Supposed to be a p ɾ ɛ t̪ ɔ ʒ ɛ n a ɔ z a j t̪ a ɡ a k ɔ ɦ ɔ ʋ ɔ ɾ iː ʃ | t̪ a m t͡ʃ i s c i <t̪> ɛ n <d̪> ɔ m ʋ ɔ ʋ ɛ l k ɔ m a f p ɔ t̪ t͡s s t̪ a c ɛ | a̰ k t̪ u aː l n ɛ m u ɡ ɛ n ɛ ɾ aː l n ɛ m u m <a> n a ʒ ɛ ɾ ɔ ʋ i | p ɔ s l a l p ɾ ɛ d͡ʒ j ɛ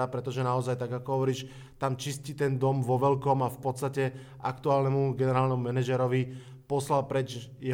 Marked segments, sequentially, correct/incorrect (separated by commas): correct, correct, incorrect